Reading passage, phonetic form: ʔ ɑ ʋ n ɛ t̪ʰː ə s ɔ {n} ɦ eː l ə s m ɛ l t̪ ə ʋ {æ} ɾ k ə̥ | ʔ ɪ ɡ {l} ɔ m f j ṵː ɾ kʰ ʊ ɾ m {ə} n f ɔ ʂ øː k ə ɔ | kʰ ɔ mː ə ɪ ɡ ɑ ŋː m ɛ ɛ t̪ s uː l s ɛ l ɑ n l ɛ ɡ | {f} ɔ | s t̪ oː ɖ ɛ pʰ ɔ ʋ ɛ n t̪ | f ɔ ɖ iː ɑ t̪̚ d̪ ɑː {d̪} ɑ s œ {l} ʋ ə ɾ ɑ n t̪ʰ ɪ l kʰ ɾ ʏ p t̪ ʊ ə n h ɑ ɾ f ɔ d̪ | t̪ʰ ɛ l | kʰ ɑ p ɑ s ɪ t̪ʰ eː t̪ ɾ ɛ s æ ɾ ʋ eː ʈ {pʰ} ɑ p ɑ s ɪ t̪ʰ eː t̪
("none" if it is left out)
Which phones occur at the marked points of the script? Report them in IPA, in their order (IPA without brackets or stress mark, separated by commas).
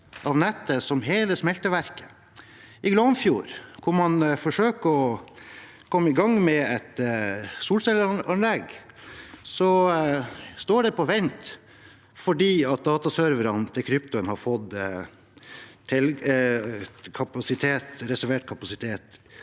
m, æ, l, ɑ, s, t̪, ɾ, kʰ